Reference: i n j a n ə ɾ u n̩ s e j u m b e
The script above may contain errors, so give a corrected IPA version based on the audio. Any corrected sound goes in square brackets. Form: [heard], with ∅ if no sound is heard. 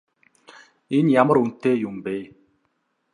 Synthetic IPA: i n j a [m] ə ɾ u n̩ [t] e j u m b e